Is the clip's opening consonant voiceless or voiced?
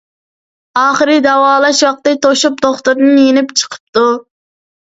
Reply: voiceless